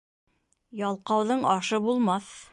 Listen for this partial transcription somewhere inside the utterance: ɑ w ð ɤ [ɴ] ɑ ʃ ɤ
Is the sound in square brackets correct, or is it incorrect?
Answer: correct